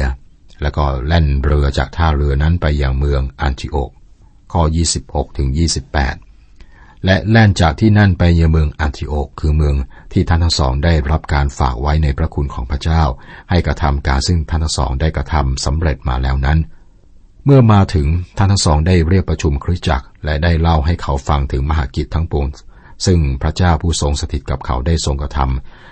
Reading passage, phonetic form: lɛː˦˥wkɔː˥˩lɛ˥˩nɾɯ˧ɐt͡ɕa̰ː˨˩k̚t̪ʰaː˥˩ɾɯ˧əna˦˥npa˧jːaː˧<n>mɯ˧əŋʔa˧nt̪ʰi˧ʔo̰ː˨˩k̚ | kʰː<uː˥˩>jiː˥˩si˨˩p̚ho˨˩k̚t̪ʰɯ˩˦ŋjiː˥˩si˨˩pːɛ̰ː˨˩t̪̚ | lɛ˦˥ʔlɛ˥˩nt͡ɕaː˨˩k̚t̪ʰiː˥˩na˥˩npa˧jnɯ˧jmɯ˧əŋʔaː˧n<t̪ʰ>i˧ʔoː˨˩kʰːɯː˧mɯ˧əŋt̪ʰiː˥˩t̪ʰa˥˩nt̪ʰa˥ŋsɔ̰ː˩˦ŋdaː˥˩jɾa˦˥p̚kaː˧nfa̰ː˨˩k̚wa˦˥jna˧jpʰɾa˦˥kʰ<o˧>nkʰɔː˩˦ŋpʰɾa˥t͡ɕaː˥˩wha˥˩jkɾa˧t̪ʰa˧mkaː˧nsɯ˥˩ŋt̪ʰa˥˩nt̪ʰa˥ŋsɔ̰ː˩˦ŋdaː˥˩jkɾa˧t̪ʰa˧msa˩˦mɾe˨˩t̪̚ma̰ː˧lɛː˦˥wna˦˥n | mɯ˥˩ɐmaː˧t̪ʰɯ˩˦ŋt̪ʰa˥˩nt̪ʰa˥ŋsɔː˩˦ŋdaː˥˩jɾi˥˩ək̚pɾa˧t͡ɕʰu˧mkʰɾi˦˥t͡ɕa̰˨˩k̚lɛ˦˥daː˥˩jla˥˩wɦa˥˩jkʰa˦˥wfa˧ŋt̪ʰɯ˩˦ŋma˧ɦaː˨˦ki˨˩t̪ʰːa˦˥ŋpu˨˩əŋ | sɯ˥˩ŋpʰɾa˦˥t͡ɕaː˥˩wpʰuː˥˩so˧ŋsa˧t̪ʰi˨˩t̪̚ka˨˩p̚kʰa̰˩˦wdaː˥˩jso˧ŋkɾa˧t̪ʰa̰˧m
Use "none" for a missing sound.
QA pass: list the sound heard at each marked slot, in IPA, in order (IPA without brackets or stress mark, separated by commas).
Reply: ŋ, ɔː˥˩, t̪ʰ, u˧